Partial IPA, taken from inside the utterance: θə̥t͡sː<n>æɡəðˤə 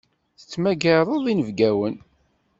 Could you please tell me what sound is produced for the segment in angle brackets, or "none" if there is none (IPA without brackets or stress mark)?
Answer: m